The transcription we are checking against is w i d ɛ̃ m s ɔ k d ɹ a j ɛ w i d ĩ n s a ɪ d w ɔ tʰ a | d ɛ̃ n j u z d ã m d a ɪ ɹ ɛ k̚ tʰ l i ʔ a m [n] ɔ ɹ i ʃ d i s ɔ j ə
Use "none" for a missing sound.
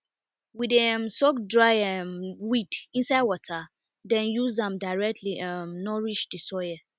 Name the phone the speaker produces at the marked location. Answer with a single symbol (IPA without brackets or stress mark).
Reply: n